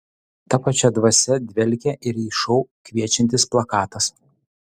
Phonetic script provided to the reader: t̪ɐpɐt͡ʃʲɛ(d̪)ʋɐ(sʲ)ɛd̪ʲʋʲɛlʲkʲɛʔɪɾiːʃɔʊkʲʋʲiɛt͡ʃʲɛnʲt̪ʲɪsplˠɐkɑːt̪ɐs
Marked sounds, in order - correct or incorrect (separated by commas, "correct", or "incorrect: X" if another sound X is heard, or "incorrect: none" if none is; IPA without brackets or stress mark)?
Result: correct, correct